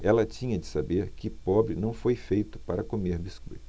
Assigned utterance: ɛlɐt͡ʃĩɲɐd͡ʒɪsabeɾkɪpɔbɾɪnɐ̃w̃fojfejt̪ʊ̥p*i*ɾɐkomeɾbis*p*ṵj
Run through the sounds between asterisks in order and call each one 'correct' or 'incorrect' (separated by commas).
incorrect, incorrect